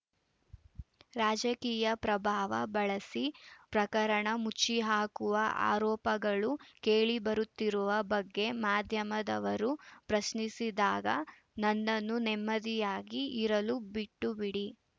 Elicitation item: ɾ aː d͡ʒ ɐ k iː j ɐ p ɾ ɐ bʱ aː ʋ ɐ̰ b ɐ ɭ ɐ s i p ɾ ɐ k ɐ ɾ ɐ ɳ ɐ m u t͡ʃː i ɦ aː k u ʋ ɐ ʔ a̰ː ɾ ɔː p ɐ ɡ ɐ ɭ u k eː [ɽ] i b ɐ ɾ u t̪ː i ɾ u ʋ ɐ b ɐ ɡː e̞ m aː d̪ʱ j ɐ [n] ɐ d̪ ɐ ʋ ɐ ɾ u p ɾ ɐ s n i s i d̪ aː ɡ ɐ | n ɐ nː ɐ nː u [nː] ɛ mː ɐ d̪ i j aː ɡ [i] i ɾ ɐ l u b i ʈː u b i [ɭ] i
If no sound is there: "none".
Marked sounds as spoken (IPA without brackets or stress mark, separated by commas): ɭ, m, n, i, ɽ